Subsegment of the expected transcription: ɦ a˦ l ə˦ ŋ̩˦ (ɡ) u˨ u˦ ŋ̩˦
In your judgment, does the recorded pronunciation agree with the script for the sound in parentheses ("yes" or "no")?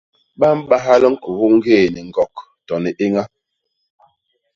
no